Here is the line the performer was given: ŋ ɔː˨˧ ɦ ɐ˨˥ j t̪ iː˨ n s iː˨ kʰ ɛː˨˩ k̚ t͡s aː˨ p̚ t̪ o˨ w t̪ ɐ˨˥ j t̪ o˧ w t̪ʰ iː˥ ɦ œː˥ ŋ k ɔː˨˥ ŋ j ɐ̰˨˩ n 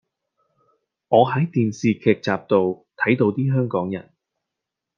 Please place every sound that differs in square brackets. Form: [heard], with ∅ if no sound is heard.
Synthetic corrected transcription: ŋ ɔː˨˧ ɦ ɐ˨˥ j t̪ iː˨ n s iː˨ kʰ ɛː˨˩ k̚ t͡s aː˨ p̚ t̪ o˨ w [t̪ʰ] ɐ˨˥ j t̪ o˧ w [t̪] iː˥ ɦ œː˥ ŋ k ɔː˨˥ ŋ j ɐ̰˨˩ n